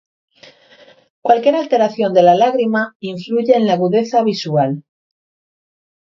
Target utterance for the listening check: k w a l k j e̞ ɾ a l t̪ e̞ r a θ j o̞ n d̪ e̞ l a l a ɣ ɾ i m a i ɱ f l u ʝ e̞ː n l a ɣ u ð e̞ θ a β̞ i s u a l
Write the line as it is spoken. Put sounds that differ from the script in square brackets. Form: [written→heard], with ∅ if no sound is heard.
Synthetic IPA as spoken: k w a l k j e̞ ɾ a l t̪ e̞ [r→ɾ] a θ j o̞ n d̪ e̞ l a l a ɣ ɾ i m a i ɱ f l u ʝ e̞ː n l a ɣ u ð e̞ θ a β̞ i s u a l